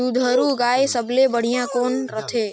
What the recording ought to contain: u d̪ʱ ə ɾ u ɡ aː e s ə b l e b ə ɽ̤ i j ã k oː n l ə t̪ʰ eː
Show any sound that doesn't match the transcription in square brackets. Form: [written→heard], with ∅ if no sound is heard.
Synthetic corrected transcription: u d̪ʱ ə ɾ u ɡ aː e s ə b l e b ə ɽ̤ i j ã k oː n [l→ɾ] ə t̪ʰ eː